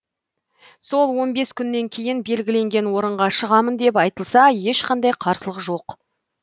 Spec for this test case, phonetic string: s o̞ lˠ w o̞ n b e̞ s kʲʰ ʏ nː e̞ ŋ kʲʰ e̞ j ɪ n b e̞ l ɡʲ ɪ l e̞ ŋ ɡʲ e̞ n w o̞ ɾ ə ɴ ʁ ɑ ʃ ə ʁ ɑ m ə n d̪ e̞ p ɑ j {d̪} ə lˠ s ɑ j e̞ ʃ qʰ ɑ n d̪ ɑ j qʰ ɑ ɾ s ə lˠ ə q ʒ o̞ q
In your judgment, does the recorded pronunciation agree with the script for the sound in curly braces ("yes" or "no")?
no